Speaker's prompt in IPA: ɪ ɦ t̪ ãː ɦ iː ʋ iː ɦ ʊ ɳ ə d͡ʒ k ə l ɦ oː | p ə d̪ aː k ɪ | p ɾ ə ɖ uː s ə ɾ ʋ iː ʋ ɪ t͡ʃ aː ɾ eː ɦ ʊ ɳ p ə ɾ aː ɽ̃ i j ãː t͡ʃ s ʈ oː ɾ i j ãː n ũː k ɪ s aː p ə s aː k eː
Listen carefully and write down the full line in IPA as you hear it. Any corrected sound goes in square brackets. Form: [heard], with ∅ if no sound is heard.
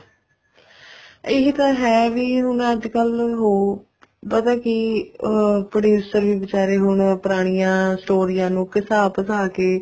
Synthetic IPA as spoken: ɪ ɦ t̪ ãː ɦ [ɛː] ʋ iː ɦ ʊ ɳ ə d͡ʒ k ə l ɦ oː | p ə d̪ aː k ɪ | p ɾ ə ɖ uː s ə ɾ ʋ iː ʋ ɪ t͡ʃ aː ɾ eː ɦ ʊ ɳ p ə ɾ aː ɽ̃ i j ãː [∅] s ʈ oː ɾ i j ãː n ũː k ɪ s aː p ə s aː k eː

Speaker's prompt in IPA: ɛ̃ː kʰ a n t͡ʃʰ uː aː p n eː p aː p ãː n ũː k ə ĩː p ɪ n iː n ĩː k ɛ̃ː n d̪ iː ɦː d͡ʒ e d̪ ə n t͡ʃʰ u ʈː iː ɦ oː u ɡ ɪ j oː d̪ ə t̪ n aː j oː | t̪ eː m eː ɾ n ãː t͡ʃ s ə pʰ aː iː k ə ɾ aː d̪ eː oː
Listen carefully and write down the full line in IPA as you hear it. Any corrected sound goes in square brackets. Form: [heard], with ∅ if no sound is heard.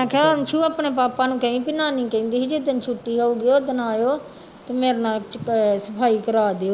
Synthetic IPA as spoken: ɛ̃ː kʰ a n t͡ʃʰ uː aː p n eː p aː p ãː n ũː k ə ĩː p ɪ n [aː] n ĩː k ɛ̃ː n d̪ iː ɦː d͡ʒ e d̪ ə n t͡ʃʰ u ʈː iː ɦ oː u ɡ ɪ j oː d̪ ə [∅] n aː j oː | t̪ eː m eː ɾ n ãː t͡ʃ s ə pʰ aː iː k ə ɾ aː d̪ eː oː

